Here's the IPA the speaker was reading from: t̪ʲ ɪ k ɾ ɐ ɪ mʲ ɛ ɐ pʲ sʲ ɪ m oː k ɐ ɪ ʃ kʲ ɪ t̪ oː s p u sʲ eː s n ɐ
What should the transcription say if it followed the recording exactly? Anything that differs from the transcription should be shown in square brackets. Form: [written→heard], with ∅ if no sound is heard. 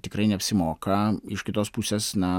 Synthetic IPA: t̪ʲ ɪ k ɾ ɐ ɪ [mʲ→nʲ] ɛ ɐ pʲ sʲ ɪ m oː k ɐ ɪ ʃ kʲ ɪ t̪ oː s p u sʲ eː s n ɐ

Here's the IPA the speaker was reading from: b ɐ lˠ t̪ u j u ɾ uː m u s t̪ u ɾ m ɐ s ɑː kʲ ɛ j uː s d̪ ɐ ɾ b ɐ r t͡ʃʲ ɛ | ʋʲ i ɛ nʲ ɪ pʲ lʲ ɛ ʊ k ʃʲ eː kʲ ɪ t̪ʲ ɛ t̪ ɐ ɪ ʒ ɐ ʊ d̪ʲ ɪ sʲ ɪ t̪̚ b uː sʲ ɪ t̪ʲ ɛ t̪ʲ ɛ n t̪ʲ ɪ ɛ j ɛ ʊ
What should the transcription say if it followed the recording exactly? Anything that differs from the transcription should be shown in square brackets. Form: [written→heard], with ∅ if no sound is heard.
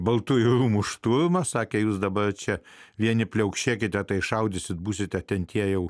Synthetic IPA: b ɐ lˠ t̪ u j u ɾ uː m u [s→ʃ] t̪ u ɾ m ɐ s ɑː kʲ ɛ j uː s d̪ ɐ [ɾ→∅] b ɐ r t͡ʃʲ ɛ | ʋʲ i ɛ nʲ ɪ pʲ lʲ ɛ ʊ k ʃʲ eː kʲ ɪ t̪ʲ ɛ t̪ ɐ ɪ [ʒ→ʃ] ɐ ʊ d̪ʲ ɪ sʲ ɪ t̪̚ b uː sʲ ɪ t̪ʲ ɛ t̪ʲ ɛ n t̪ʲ [ɪ→i] ɛ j ɛ ʊ

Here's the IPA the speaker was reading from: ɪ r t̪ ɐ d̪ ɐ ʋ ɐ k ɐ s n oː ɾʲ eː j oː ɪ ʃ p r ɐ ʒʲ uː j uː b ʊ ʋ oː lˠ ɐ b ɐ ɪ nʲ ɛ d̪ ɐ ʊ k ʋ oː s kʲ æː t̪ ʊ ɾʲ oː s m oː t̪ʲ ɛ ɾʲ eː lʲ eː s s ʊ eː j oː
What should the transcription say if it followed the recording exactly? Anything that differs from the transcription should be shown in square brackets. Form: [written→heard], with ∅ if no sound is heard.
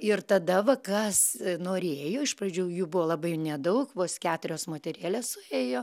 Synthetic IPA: ɪ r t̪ ɐ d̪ ɐ ʋ ɐ k ɐ s n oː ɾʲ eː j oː ɪ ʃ p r ɐ [ʒʲ→d͡ʒʲ] uː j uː b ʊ ʋ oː lˠ ɐ b ɐ ɪ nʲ ɛ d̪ ɐ ʊ k ʋ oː s kʲ æː t̪ ʊ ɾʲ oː s m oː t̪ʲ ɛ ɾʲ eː lʲ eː s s ʊ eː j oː

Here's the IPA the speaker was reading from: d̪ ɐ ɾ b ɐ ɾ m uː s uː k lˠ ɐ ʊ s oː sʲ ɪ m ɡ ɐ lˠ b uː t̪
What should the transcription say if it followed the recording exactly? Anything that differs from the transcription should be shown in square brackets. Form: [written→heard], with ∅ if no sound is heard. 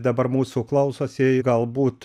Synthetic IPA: d̪ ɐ [ɾ→∅] b ɐ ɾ m uː s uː k lˠ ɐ ʊ s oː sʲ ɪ [m→∅] ɡ ɐ lˠ b uː t̪

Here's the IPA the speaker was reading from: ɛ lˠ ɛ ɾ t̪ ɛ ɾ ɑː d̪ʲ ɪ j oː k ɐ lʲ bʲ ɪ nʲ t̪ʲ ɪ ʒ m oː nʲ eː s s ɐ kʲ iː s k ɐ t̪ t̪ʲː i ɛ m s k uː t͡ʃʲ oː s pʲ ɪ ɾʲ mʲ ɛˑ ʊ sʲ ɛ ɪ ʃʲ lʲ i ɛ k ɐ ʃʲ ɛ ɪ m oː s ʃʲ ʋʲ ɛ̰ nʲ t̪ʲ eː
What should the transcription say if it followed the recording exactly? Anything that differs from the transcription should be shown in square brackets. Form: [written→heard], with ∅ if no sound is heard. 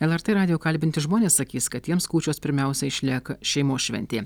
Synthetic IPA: ɛ lˠ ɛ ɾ t̪ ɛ ɾ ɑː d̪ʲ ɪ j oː k ɐ lʲ bʲ ɪ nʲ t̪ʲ ɪ ʒ m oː nʲ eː s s ɐ kʲ iː s k ɐ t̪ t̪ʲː i ɛ m s k uː t͡ʃʲ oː s pʲ ɪ ɾʲ mʲ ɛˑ ʊ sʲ ɛ ɪ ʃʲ lʲ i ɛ k ɐ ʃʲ ɛ ɪ m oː s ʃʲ ʋʲ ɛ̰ nʲ t̪ʲ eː

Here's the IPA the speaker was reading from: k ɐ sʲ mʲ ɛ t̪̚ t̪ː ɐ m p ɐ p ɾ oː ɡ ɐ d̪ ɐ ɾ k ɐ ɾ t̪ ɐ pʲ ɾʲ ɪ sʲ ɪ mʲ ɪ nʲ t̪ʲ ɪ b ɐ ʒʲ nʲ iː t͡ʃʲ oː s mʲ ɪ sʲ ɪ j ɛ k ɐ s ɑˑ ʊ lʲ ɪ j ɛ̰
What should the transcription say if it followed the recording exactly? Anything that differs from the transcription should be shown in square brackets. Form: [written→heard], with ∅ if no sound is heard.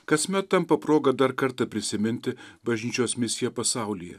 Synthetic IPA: k ɐ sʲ mʲ ɛ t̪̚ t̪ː ɐ m p ɐ p ɾ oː ɡ ɐ d̪ ɐ ɾ k ɐ ɾ t̪ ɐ pʲ ɾʲ ɪ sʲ ɪ mʲ ɪ nʲ t̪ʲ ɪ b ɐ ʒʲ nʲ iː t͡ʃʲ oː s mʲ ɪ sʲ ɪ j ɛ [k→p] ɐ s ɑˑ ʊ lʲ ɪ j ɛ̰

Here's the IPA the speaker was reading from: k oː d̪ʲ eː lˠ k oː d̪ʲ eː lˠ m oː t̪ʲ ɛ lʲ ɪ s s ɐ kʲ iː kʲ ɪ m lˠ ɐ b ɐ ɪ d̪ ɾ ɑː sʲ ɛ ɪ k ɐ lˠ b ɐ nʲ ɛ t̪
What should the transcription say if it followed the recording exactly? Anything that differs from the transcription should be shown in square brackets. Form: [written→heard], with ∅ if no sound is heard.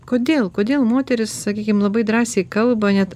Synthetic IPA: k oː d̪ʲ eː lˠ k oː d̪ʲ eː lˠ m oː t̪ʲ ɛ [lʲ→ɾʲ] ɪ s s ɐ kʲ iː kʲ ɪ m lˠ ɐ b ɐ ɪ d̪ ɾ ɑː sʲ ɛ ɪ k ɐ lˠ b ɐ nʲ ɛ t̪

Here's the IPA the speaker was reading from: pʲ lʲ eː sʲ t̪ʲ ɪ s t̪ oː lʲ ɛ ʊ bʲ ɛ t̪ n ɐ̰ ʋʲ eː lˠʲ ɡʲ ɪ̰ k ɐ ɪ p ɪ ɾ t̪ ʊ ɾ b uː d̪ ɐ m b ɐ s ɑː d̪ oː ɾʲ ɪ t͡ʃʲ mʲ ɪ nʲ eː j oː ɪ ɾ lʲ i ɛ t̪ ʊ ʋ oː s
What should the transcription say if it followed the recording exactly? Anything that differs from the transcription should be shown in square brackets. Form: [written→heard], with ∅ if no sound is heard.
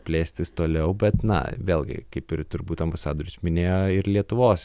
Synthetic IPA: pʲ lʲ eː sʲ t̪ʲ ɪ s t̪ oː lʲ ɛ ʊ bʲ ɛ t̪ n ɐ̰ ʋʲ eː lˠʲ ɡʲ ɪ̰ k ɐ ɪ p ɪ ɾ t̪ ʊ ɾ b uː [d̪→t̪] ɐ m b ɐ s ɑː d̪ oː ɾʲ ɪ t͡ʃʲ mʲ ɪ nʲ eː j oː ɪ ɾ lʲ i ɛ t̪ ʊ ʋ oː s

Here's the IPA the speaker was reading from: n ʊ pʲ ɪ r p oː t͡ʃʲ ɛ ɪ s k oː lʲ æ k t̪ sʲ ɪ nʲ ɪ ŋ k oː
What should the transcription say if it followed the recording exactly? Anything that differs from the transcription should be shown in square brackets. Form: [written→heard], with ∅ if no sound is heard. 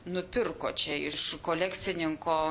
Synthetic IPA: n ʊ pʲ ɪ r [p→k] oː t͡ʃʲ ɛ ɪ [s→ʃ] k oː lʲ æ k t̪ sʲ ɪ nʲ ɪ ŋ k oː

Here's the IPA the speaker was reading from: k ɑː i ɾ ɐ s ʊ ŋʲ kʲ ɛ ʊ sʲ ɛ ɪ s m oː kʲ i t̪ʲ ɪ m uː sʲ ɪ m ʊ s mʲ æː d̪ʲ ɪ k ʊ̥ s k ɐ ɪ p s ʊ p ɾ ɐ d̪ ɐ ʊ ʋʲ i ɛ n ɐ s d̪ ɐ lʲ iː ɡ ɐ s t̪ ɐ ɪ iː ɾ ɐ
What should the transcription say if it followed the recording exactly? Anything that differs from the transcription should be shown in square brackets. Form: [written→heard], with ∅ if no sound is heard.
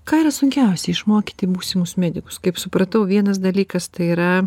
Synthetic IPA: k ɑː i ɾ ɐ s ʊ ŋʲ kʲ ɛ ʊ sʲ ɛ ɪ [s→ʃ] m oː kʲ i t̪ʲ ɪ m uː sʲ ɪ m ʊ s mʲ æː d̪ʲ ɪ k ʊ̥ s k ɐ ɪ p s ʊ p ɾ ɐ [d̪→t̪] ɐ ʊ ʋʲ i ɛ n ɐ s d̪ ɐ lʲ iː [ɡ→k] ɐ s t̪ ɐ ɪ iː ɾ ɐ

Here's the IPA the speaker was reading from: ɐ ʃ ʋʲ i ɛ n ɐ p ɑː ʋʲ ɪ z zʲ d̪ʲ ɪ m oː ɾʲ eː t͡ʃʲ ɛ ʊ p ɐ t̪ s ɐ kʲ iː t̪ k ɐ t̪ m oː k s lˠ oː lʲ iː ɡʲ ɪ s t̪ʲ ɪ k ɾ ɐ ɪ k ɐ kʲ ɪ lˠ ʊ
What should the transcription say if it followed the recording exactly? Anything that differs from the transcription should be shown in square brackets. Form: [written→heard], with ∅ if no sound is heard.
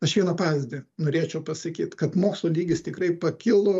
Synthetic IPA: ɐ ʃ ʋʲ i ɛ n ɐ p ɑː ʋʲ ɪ z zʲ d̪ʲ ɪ [m→n] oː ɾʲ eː t͡ʃʲ ɛ ʊ p ɐ [t̪→∅] s ɐ kʲ iː t̪ k ɐ t̪ m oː k s lˠ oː lʲ iː ɡʲ ɪ s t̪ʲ ɪ k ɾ ɐ ɪ [k→p] ɐ kʲ ɪ lˠ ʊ

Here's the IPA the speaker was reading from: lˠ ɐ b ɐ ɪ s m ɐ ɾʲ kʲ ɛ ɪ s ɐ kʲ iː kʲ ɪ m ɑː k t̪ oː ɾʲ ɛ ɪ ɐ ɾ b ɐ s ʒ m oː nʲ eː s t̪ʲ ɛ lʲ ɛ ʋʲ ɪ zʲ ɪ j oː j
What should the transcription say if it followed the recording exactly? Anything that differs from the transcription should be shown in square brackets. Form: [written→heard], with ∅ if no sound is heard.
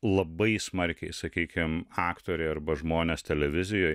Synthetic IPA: lˠ ɐ b ɐ ɪ s m ɐ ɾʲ kʲ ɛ ɪ s ɐ kʲ iː kʲ ɪ m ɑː k t̪ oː ɾʲ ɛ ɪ ɐ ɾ b ɐ [s→∅] ʒ m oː nʲ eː s t̪ʲ ɛ lʲ ɛ ʋʲ ɪ zʲ ɪ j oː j

